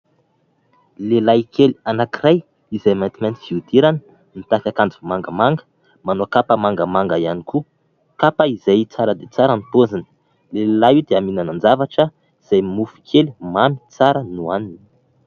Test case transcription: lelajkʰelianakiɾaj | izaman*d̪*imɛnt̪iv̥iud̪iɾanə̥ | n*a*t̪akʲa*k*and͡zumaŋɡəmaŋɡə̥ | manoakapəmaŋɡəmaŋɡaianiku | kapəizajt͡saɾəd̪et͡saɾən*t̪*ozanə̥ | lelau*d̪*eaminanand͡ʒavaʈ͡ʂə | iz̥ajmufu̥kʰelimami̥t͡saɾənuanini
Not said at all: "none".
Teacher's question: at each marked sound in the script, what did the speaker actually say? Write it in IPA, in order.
t̪, i, k, t̪, d̪

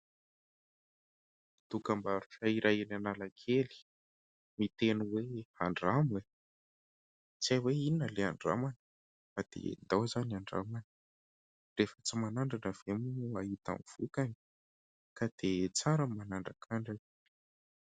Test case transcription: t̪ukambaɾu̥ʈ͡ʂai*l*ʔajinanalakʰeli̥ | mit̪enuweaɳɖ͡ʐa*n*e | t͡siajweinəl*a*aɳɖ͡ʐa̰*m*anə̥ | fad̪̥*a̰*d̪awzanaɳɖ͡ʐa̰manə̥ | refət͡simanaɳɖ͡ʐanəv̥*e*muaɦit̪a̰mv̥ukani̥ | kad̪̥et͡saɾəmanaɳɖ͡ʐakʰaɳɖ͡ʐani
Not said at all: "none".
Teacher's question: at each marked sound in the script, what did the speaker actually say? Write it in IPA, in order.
ɾ, m, e, m, ḛ, e

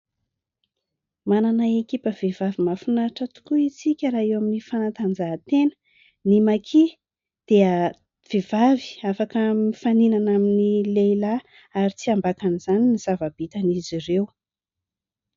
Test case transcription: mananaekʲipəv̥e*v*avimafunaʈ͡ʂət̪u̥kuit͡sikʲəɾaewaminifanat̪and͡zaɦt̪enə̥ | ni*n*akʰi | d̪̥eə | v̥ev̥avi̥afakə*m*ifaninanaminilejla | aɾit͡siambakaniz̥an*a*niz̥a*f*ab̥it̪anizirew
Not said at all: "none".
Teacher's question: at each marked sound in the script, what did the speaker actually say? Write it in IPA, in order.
v, m, m, i, v

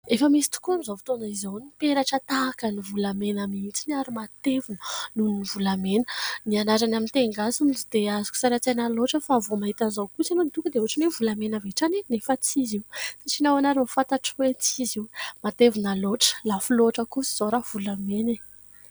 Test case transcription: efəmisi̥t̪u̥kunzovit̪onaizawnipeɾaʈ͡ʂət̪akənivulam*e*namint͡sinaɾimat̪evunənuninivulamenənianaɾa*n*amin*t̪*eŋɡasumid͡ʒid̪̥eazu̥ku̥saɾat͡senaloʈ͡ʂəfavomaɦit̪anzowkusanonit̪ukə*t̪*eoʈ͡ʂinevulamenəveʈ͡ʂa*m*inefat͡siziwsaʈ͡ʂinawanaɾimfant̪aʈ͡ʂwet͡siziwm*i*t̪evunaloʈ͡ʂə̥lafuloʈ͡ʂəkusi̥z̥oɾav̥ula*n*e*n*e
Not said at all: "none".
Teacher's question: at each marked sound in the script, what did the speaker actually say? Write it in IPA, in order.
e, n, t̪, d̪, n, a, m, n

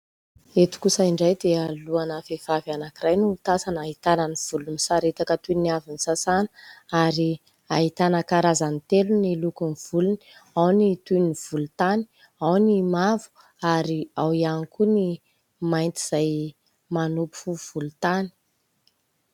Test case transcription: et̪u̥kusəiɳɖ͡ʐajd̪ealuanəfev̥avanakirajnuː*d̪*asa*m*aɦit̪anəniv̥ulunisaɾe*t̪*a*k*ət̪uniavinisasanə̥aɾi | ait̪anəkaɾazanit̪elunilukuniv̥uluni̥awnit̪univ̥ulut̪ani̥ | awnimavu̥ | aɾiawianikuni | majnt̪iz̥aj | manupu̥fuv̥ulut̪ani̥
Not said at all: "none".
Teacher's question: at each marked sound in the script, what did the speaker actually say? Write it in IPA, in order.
t̪, n, t̪, k

